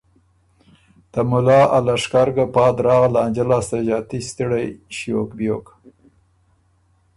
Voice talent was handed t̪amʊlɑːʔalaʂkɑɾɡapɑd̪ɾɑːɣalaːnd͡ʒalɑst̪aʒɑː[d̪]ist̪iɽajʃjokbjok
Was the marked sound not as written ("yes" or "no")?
yes